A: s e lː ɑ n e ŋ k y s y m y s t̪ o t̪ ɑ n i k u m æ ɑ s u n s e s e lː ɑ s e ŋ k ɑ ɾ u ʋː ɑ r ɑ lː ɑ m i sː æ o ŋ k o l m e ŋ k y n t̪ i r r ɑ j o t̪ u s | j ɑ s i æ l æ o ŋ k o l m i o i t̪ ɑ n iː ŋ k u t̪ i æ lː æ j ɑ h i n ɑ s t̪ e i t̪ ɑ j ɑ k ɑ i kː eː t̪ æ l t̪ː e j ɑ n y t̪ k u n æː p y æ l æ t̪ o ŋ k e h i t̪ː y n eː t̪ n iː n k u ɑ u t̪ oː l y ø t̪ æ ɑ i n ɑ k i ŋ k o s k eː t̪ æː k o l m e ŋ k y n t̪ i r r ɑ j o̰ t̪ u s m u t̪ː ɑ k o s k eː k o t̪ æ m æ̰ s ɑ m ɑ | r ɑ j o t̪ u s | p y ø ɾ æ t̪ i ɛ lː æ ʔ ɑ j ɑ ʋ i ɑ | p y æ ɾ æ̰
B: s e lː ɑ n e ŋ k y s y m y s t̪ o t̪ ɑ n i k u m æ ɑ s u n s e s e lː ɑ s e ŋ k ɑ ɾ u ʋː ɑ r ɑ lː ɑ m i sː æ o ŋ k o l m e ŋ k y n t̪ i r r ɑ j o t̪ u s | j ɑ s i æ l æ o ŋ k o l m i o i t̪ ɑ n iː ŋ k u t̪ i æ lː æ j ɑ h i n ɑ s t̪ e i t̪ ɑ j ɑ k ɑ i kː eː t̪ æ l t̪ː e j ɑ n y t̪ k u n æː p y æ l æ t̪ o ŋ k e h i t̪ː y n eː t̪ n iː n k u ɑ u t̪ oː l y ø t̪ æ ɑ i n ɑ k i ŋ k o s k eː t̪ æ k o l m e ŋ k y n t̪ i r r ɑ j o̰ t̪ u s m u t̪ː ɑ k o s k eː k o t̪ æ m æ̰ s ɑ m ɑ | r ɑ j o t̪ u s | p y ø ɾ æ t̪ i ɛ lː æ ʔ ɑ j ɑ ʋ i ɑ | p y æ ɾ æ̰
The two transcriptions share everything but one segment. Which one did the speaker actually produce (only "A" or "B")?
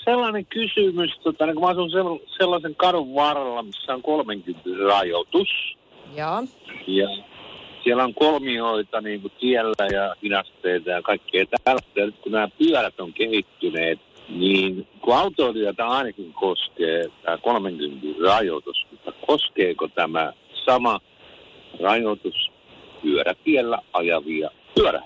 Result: A